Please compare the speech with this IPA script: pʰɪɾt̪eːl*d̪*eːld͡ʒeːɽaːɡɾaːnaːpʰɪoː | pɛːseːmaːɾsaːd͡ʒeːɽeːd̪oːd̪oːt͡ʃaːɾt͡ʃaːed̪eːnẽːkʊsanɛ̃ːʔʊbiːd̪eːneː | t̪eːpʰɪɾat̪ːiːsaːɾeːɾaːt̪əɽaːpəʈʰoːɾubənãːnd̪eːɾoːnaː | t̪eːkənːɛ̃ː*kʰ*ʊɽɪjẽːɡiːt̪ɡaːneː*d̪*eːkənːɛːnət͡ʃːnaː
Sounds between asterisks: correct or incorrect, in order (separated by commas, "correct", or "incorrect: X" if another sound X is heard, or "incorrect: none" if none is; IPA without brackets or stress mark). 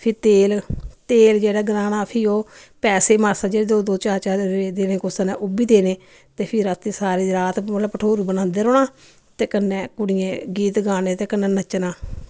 incorrect: t̪, incorrect: k, incorrect: t̪